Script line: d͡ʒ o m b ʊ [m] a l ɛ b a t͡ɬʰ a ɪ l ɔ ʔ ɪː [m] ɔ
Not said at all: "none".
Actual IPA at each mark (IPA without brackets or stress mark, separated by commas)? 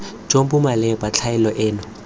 m, n